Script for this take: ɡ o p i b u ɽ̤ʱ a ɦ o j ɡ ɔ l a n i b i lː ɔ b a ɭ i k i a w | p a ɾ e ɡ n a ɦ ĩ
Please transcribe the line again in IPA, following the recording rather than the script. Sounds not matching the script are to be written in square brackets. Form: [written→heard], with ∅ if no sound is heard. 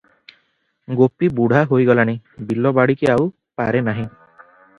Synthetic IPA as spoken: ɡ o p i b u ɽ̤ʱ a ɦ o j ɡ ɔ l a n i b i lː ɔ b a [ɭ→ɽ] i k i a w | p a ɾ e [ɡ→∅] n a ɦ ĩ